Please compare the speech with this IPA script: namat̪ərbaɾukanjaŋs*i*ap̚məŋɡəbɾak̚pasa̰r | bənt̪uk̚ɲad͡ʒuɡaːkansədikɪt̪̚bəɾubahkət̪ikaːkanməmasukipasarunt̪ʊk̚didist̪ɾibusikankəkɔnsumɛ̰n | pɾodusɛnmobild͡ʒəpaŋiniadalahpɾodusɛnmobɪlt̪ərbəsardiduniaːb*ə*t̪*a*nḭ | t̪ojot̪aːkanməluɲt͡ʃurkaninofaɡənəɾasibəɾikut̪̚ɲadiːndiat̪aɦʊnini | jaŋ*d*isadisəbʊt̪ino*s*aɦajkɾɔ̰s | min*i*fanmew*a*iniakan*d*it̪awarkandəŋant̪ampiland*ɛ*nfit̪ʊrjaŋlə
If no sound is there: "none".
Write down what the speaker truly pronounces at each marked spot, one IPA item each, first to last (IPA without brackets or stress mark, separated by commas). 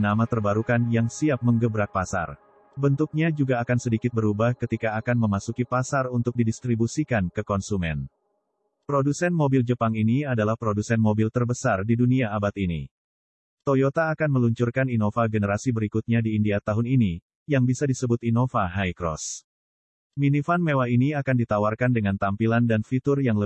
i, a, i, b, f, i, a, d, a